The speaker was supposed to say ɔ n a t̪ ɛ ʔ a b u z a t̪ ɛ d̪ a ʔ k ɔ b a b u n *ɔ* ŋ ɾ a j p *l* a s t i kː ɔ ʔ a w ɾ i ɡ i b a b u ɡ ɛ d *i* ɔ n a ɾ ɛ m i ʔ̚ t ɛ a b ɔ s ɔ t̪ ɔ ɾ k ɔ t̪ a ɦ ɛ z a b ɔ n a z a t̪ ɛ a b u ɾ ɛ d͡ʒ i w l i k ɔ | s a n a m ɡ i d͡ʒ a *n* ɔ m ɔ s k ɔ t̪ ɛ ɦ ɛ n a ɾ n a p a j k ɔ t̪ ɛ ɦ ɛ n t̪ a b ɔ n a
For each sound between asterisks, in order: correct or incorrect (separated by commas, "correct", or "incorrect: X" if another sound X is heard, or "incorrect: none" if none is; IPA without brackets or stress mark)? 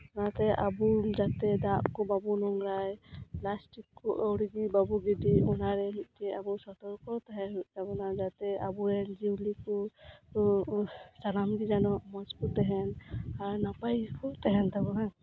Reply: correct, correct, correct, correct